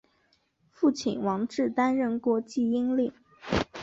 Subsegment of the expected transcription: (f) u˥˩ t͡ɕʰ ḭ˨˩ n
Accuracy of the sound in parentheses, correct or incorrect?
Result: correct